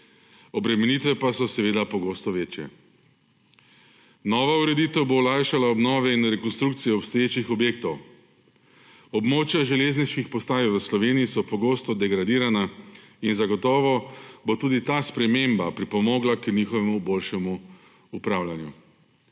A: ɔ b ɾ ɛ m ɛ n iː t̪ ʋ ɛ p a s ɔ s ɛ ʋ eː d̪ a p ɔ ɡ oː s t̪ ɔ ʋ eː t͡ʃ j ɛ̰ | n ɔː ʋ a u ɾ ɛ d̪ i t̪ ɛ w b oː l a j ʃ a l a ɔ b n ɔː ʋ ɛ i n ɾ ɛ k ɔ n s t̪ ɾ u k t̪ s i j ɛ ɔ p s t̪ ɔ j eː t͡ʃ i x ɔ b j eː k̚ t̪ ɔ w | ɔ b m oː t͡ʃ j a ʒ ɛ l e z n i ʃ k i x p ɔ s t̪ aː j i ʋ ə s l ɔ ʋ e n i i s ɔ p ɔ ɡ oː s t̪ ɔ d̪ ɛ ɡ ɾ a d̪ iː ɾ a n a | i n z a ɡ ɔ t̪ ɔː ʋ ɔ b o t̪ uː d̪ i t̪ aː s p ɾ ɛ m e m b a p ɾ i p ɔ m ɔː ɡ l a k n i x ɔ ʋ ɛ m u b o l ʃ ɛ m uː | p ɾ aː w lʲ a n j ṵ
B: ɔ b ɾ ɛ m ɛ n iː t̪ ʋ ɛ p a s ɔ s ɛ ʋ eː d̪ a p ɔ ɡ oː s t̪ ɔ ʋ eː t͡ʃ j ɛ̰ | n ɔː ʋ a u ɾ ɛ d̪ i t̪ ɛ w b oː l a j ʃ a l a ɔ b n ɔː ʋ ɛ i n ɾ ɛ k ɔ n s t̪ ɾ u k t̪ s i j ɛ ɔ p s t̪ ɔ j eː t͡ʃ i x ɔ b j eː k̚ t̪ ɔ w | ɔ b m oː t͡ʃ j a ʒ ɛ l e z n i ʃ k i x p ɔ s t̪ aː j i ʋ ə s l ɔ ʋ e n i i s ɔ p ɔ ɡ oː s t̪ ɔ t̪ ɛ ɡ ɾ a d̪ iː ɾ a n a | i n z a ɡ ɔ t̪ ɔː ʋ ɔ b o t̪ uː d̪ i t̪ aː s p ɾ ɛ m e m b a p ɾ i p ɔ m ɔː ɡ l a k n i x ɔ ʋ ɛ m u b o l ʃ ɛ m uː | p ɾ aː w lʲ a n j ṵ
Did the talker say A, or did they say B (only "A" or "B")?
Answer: A